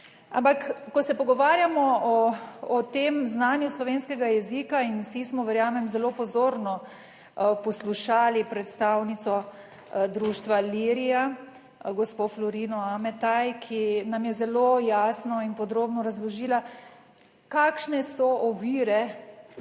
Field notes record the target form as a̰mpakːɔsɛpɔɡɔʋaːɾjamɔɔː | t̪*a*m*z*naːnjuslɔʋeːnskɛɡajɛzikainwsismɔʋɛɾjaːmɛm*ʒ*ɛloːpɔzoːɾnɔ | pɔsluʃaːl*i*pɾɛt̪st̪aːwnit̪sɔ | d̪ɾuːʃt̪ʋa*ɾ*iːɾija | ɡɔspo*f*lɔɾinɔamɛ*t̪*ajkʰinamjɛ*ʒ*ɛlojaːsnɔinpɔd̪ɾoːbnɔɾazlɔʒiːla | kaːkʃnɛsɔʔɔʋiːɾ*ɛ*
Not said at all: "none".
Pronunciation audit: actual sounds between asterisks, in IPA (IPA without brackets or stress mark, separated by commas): e, z, z, i, l, f, t̪, z, ɛ